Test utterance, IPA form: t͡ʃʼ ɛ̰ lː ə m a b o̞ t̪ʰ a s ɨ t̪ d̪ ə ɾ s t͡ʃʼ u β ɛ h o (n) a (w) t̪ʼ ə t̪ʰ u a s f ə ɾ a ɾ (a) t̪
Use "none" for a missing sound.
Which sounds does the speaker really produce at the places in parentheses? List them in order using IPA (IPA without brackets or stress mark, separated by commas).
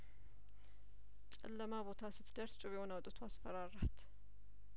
n, w, a